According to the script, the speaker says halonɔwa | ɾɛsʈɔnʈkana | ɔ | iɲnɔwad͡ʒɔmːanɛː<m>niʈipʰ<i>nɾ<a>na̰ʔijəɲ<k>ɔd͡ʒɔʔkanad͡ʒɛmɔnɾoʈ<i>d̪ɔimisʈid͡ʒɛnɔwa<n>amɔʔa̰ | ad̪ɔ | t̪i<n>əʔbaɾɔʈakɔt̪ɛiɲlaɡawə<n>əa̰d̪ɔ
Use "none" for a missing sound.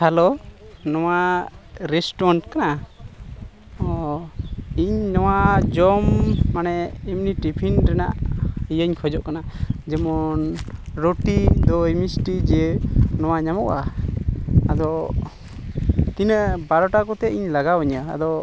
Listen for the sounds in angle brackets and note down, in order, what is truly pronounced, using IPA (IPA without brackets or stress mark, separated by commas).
m, i, ɛ, kʰ, i, ɲ, n, ɲ